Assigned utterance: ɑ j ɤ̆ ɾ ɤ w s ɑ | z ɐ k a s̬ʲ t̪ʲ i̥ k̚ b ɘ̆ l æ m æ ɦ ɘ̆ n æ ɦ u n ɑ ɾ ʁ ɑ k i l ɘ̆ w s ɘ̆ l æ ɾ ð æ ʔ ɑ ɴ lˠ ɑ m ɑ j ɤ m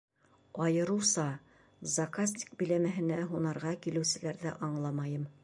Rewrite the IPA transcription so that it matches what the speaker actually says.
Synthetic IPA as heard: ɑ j ɤ̆ ɾ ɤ w s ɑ | z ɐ k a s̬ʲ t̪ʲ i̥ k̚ b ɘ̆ l æ m æ ɦ ɘ̆ n æ ɦ u n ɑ ɾ ʁ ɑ k i l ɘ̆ w s ɘ̆ l æ ɾ ð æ ʔ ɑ ɴ lˠ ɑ m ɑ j ɤ m